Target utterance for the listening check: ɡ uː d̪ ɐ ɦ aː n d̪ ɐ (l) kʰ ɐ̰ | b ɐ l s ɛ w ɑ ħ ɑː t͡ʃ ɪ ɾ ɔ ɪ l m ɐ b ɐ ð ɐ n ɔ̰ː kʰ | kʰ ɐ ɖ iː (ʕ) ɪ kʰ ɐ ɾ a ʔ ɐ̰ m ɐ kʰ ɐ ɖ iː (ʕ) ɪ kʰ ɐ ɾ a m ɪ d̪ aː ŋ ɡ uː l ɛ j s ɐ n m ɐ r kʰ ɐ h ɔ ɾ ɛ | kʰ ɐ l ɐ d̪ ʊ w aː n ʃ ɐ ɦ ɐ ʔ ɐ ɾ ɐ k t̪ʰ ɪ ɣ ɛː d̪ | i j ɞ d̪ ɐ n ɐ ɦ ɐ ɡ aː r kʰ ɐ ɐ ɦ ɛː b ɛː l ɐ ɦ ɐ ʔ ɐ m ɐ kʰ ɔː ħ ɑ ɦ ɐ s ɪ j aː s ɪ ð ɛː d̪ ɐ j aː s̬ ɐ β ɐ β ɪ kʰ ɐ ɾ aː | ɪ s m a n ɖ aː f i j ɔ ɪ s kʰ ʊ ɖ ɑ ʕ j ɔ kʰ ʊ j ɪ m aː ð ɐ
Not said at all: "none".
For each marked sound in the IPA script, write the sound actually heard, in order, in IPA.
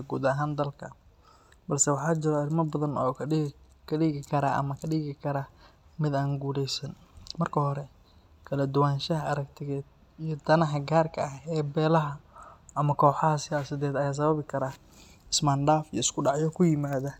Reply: l, ɣ, ɣ

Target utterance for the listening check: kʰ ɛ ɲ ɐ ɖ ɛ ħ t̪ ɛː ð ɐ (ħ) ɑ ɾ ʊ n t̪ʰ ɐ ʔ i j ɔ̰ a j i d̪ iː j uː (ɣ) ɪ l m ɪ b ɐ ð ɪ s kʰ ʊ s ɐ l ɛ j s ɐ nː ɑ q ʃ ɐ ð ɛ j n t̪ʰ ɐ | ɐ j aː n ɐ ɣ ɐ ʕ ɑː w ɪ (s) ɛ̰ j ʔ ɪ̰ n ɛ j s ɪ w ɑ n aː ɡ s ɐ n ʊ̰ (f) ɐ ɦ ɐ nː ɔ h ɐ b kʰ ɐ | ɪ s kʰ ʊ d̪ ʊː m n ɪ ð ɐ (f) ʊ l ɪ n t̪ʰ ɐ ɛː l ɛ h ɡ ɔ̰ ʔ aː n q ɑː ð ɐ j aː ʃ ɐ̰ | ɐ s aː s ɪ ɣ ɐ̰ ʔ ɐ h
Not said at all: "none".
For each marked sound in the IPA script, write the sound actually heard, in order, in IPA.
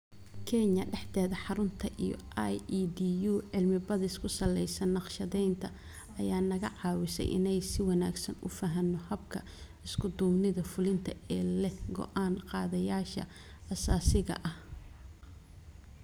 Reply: ħ, ʕ, s, f, f

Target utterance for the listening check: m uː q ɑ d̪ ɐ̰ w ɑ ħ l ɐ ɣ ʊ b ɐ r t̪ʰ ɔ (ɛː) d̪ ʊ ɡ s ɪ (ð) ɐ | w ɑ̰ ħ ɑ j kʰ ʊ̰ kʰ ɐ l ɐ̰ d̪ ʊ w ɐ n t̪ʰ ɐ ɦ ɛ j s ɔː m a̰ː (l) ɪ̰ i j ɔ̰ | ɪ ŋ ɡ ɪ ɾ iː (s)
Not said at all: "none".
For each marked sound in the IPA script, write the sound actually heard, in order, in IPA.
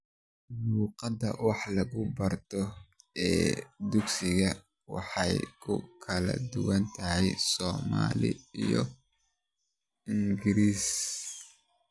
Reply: ɛː, ɣ, l, s

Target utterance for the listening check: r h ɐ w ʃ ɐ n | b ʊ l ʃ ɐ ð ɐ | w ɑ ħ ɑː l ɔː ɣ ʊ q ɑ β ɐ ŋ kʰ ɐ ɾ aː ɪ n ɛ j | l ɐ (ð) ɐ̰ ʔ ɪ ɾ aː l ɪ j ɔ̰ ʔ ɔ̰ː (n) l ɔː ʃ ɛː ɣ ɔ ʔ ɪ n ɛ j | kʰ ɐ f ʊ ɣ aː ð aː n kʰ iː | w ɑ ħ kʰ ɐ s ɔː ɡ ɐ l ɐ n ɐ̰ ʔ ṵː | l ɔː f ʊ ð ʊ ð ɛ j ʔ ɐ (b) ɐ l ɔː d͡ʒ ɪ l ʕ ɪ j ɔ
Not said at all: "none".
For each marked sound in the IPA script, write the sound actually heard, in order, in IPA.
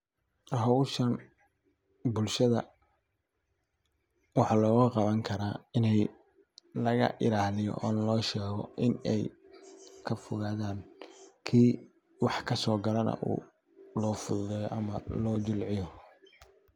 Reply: ɣ, n, m

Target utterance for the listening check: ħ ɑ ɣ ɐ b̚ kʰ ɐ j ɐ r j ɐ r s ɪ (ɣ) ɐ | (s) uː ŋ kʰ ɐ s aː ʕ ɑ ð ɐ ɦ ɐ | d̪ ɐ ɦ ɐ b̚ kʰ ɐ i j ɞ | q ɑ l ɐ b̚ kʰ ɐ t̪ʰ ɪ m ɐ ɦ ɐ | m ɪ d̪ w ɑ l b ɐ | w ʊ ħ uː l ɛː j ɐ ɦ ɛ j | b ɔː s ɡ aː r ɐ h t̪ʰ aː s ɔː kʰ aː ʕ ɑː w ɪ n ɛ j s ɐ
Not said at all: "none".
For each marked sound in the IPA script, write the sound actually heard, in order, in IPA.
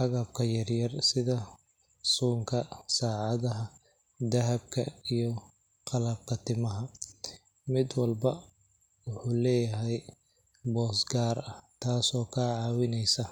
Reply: ð, s

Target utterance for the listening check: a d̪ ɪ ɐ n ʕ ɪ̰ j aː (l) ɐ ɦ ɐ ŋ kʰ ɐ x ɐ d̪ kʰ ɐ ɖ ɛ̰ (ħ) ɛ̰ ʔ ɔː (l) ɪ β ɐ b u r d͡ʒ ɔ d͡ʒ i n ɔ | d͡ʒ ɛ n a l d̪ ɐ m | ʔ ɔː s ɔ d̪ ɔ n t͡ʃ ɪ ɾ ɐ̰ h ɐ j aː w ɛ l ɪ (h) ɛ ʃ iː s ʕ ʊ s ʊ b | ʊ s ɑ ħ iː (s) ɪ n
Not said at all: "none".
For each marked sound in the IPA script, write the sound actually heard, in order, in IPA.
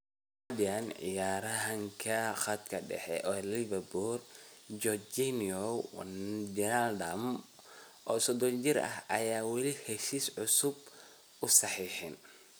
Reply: ɾ, ħ, l, h, ħ

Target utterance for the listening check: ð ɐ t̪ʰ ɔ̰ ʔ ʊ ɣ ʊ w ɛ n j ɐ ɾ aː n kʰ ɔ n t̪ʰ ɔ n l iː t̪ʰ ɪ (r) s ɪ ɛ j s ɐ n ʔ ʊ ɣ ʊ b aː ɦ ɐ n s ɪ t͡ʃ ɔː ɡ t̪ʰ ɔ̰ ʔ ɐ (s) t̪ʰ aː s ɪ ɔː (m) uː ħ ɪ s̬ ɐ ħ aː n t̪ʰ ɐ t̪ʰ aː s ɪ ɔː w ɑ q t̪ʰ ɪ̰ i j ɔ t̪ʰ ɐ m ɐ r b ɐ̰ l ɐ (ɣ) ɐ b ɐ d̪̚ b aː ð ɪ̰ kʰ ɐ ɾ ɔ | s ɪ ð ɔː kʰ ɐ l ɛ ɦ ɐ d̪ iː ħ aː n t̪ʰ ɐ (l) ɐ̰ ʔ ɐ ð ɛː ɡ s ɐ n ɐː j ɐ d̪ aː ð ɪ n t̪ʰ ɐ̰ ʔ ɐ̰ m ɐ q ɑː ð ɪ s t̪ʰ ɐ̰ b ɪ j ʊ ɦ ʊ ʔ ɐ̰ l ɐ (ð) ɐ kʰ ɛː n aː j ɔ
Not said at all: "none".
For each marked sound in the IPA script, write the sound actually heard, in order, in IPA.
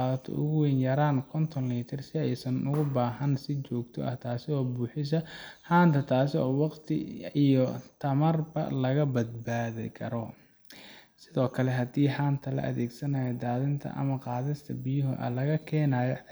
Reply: r, h, b, ɣ, l, ɣ

